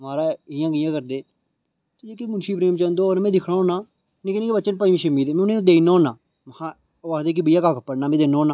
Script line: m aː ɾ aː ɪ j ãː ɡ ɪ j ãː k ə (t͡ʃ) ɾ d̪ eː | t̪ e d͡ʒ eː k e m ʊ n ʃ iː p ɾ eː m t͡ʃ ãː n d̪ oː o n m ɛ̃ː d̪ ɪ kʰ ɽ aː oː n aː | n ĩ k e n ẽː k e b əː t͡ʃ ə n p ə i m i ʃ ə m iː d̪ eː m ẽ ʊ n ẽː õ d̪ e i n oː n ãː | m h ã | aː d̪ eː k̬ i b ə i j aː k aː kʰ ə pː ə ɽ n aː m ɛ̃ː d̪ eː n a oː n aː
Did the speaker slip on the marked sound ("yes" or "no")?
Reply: yes